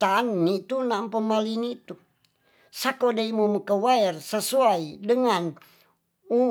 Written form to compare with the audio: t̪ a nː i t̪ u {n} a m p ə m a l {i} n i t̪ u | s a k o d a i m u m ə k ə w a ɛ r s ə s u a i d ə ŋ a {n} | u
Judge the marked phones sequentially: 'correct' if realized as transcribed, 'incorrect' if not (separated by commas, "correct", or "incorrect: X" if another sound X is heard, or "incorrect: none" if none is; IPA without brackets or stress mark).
correct, correct, correct